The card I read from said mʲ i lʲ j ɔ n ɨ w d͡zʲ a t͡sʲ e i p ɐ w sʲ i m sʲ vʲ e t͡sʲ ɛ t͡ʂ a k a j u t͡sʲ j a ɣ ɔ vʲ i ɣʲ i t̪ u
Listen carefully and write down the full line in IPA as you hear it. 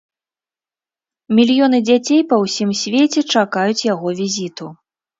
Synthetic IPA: mʲ i lʲ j ɔ n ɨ d͡zʲ a t͡sʲ e j p ɐ w sʲ i m sʲ vʲ e t͡sʲ ɛ t͡ʂ a k a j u t͡sʲ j a ɣ ɔ vʲ i zʲ i t̪ u